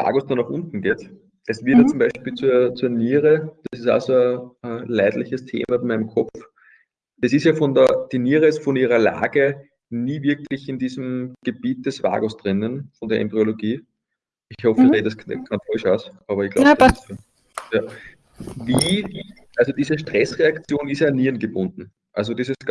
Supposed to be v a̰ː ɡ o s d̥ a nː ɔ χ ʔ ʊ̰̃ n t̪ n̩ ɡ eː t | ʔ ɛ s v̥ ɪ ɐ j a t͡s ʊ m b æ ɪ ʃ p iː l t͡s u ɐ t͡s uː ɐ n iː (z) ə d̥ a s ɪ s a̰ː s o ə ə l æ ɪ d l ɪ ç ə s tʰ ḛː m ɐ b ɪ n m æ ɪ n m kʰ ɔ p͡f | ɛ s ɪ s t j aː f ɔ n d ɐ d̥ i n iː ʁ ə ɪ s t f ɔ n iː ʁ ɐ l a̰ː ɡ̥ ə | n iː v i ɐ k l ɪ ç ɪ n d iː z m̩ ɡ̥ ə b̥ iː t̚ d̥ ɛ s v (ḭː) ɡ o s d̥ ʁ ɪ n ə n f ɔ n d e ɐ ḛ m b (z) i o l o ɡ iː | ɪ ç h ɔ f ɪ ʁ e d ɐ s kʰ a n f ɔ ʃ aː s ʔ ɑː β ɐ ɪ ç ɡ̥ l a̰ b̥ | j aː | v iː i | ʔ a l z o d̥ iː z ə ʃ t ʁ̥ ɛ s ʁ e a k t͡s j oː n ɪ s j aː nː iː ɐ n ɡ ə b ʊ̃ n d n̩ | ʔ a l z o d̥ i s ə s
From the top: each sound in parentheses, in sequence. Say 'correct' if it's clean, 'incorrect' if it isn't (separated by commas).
incorrect, incorrect, incorrect